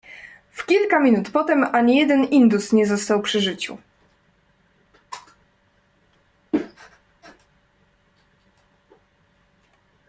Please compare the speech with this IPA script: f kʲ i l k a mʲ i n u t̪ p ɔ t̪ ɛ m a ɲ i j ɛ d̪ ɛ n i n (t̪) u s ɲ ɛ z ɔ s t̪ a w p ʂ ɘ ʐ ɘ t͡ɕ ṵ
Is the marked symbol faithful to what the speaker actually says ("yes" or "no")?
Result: no